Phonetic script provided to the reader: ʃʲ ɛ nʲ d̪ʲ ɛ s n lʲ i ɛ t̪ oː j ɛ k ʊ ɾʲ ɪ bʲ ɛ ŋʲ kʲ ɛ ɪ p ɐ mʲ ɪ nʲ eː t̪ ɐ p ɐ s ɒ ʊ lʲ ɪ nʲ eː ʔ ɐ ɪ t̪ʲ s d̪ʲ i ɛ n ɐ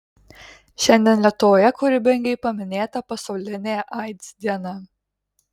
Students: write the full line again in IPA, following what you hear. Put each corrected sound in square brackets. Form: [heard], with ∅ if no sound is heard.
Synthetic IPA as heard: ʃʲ ɛ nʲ d̪ʲ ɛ [∅] n lʲ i ɛ t̪ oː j ɛ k ʊ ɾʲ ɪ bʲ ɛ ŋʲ [ɡʲ] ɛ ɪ p ɐ mʲ ɪ nʲ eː t̪ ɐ p ɐ s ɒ ʊ lʲ ɪ nʲ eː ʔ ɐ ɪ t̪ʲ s d̪ʲ i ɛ n ɐ